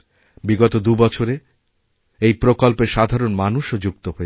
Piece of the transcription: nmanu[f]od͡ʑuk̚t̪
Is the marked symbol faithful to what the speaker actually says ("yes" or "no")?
no